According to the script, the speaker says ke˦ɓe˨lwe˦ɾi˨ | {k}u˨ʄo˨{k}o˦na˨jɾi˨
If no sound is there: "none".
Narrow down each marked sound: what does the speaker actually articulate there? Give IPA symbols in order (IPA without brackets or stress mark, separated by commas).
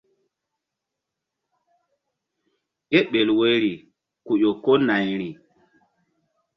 k, k